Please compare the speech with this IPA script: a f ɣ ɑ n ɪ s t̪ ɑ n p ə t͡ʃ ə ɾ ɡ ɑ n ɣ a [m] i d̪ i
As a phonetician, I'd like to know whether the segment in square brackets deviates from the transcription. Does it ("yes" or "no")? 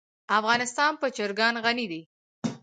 yes